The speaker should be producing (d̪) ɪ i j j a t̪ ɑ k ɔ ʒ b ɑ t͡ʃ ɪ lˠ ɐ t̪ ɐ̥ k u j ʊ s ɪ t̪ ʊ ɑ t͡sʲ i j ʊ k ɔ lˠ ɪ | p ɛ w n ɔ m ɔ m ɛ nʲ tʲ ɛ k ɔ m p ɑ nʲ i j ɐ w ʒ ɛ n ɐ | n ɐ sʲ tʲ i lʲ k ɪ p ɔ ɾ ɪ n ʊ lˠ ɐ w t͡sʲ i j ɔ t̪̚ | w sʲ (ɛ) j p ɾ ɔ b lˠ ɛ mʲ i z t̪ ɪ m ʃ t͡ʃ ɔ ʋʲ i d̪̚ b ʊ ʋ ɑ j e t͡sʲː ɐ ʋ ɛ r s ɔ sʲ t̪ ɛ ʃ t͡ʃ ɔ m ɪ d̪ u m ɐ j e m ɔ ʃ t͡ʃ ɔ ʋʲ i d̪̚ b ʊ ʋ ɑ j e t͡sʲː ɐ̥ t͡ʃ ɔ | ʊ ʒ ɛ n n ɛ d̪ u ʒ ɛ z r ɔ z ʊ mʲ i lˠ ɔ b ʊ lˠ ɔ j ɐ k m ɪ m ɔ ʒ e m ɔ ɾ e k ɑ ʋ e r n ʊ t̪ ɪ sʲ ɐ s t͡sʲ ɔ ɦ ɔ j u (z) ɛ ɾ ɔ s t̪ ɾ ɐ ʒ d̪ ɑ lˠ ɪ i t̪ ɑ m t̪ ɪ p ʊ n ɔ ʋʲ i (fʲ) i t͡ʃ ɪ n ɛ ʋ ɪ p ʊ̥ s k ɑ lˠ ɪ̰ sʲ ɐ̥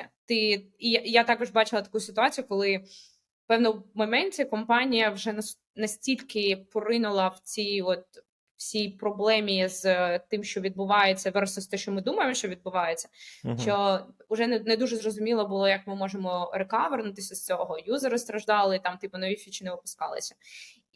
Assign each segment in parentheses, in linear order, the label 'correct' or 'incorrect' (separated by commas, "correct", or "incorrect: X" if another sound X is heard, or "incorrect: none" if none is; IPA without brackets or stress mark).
incorrect: t̪, incorrect: i, correct, correct